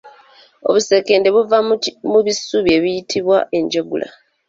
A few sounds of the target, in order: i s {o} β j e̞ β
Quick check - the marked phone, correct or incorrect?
incorrect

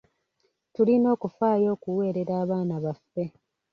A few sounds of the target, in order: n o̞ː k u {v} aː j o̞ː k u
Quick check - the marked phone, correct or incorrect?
incorrect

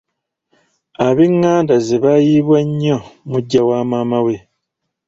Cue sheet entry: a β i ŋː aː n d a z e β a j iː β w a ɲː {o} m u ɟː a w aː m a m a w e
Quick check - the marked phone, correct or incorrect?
correct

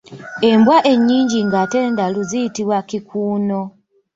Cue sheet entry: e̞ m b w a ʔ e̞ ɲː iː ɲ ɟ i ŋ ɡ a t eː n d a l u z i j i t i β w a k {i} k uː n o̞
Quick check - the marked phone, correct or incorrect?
correct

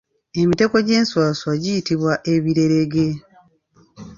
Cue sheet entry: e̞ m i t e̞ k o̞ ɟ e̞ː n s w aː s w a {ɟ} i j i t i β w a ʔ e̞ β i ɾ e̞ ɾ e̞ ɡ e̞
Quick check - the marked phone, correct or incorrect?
correct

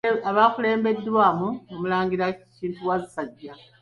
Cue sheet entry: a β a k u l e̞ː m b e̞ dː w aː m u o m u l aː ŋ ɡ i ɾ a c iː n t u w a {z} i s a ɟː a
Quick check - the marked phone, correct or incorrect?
correct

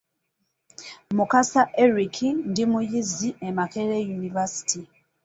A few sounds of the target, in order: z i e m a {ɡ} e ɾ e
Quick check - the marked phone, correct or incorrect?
incorrect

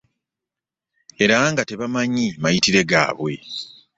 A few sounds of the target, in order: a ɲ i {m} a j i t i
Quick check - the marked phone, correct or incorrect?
correct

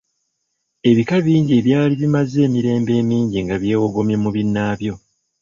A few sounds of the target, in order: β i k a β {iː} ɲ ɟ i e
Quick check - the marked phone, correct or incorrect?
correct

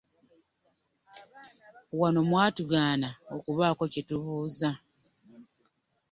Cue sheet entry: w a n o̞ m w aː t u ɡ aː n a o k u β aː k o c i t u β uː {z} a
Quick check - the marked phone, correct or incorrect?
correct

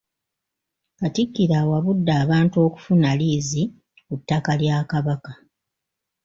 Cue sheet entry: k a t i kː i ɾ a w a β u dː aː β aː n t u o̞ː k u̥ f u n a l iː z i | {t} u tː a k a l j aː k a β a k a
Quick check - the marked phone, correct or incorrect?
incorrect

